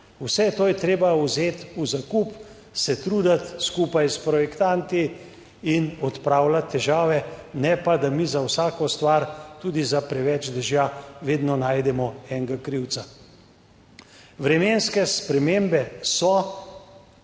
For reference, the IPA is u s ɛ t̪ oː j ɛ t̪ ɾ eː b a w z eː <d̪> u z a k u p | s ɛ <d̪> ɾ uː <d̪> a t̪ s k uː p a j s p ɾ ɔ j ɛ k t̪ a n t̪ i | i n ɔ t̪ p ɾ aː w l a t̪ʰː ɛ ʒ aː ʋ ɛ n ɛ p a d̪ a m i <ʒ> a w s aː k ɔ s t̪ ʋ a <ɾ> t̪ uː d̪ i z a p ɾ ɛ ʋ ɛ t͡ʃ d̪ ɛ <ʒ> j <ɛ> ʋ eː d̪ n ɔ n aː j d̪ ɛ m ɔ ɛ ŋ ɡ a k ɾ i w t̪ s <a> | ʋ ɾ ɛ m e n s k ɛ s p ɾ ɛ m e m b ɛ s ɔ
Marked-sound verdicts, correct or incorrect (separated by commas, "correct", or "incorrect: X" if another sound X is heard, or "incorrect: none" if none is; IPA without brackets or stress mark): incorrect: t̪, incorrect: t̪, correct, incorrect: z, correct, correct, incorrect: a, correct